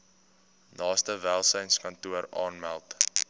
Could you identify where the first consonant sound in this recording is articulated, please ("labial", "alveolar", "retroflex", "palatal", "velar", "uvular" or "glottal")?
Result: alveolar